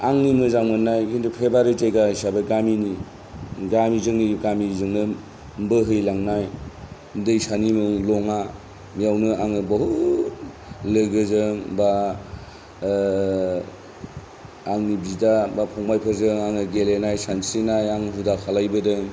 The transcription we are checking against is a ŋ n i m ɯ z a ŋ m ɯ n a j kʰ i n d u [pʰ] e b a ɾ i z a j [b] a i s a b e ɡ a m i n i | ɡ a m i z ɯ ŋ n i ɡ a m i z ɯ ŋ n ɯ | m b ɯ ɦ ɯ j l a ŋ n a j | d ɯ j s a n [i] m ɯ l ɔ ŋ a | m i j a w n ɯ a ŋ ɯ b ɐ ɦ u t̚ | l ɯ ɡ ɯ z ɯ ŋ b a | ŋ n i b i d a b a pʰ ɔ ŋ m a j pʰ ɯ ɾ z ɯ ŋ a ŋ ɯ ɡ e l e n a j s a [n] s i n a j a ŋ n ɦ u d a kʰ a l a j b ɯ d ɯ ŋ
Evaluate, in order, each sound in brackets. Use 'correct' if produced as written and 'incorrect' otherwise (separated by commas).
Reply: correct, incorrect, correct, correct